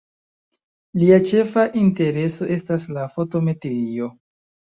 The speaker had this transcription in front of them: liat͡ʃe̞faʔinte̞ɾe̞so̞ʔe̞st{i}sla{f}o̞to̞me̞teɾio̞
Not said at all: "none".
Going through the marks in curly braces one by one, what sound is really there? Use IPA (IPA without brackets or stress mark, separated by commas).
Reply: a, f